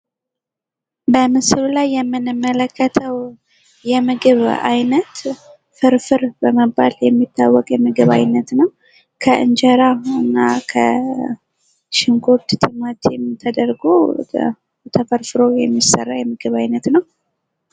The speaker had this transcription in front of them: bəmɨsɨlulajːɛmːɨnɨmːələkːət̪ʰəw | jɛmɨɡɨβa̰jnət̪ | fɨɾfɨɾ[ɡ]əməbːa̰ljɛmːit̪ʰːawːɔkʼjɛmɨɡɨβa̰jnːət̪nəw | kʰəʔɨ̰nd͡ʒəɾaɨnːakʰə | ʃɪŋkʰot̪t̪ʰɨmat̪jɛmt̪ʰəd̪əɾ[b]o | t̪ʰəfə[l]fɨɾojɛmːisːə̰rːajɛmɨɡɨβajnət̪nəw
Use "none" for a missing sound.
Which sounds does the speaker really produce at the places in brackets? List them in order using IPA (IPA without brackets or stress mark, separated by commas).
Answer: b, ɡ, ɾ